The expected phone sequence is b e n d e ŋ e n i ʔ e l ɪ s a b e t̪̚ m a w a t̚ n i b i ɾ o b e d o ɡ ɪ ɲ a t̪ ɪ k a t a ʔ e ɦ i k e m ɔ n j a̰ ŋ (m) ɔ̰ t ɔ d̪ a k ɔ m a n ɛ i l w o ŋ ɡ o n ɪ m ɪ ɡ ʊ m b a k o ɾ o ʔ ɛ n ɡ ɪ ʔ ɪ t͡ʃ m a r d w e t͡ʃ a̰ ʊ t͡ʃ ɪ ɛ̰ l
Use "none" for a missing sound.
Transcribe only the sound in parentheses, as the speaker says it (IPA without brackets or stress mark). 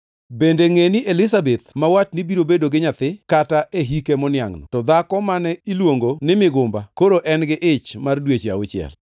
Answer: n